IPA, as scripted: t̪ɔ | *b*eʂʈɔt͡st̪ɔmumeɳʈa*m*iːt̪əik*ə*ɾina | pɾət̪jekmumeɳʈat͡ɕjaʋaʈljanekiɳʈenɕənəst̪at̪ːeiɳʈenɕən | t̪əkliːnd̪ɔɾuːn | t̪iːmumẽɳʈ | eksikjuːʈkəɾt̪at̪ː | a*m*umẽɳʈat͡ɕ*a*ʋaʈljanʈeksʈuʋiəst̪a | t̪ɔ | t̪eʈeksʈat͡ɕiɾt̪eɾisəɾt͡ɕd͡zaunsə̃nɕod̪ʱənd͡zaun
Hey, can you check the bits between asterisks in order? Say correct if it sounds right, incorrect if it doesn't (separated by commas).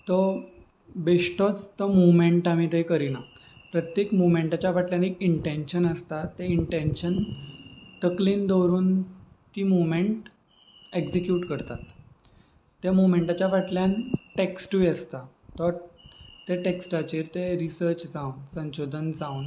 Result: correct, correct, correct, correct, correct